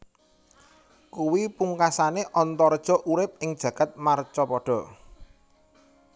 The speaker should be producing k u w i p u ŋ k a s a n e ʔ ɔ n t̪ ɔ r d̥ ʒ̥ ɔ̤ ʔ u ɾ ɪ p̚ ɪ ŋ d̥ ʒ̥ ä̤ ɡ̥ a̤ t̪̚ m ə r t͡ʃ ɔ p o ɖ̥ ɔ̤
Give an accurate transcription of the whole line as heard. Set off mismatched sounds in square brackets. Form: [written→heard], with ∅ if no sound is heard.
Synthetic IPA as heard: k u w i p u ŋ k a s a n e ʔ ɔ n t̪ ɔ r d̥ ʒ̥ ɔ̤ ʔ u ɾ ɪ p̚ ɪ ŋ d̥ ʒ̥ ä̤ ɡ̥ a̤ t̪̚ m [ə→a] r t͡ʃ ɔ p [o→ɔ] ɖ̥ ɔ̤

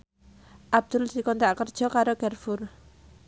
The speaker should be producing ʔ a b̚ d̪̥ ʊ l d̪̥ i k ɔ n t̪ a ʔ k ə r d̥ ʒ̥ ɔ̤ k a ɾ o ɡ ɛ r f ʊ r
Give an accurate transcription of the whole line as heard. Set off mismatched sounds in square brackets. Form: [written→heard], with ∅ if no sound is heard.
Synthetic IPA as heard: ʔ a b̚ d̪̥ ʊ l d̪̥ i k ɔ n t̪ a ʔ k ə r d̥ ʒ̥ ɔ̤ k a ɾ o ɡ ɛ r f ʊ r

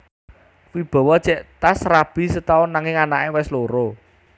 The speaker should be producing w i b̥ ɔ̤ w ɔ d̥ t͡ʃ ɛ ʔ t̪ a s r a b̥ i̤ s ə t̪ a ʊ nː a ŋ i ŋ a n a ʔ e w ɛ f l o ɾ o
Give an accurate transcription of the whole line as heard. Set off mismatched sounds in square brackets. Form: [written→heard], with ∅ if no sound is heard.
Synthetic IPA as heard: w i b̥ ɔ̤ w ɔ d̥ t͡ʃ ɛ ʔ t̪ a s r a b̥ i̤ s ə t̪ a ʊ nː a ŋ [i→ɪ] ŋ a n a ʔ e w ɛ [f→s] l o ɾ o

